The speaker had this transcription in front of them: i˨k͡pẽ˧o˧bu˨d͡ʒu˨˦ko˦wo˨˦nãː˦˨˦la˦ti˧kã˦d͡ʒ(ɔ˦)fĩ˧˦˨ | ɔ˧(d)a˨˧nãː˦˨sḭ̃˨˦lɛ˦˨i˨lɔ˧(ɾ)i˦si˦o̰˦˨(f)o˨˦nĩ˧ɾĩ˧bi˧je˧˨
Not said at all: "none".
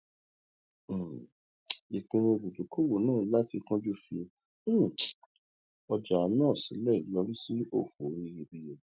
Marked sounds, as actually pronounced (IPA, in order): u˦, d͡ʒ, ɾ, f

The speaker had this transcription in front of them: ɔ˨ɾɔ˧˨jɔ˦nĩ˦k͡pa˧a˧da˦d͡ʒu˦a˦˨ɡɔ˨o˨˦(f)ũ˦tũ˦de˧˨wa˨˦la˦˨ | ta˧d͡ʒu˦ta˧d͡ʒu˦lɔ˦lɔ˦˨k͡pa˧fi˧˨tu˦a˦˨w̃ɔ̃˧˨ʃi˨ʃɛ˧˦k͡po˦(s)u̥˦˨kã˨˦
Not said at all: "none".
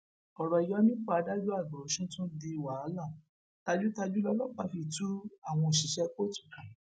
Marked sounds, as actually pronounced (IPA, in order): ʃ, t

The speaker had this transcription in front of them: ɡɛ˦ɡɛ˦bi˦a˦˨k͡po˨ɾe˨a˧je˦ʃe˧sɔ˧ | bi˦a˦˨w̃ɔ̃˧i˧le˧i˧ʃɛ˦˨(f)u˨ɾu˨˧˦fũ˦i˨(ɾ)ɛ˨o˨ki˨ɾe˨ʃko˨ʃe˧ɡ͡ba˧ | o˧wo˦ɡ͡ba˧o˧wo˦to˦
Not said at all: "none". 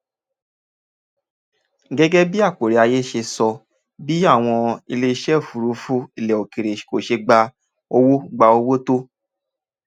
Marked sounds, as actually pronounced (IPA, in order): f, l

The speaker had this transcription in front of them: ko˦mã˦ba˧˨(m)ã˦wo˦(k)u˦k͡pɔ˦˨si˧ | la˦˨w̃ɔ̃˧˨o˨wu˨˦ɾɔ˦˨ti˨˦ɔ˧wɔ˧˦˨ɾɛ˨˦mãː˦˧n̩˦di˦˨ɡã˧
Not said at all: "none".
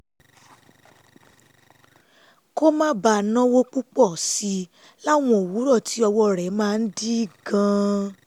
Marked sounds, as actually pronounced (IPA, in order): n, k͡p

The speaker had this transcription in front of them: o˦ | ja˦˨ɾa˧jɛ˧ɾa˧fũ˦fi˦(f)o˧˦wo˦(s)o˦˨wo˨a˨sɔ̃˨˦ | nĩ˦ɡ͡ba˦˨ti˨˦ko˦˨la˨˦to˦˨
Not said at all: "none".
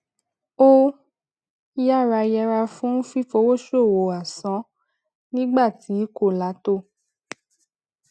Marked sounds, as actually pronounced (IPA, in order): f, ʃ

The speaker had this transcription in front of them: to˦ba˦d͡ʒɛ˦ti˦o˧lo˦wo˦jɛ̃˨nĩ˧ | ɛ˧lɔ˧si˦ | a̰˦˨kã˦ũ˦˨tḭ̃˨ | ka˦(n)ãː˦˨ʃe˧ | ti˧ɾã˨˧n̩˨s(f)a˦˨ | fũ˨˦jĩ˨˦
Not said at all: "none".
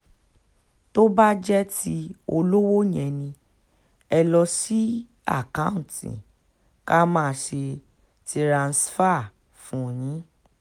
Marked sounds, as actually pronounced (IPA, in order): m, f

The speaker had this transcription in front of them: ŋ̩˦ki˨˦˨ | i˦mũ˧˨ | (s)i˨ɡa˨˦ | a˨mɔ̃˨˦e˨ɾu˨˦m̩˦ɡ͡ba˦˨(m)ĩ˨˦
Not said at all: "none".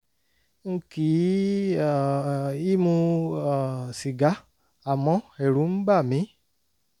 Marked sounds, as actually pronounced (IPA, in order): s, m

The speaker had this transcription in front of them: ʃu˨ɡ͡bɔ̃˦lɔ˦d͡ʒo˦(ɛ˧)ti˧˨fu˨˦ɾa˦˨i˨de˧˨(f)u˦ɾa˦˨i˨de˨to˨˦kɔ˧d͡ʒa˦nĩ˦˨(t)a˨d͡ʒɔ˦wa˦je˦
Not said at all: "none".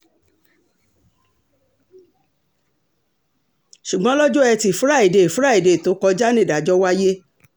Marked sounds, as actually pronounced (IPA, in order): ɛ˧, f, d

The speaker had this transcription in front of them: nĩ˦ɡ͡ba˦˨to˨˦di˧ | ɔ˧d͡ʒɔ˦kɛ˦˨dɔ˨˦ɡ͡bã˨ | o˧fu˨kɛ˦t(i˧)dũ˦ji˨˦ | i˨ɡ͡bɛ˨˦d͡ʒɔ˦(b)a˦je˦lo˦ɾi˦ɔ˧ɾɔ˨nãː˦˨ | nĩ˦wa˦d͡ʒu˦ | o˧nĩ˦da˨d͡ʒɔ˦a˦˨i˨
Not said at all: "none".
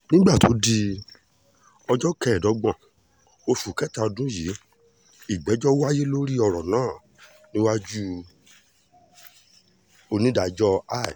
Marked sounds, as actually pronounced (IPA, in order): a˧, w

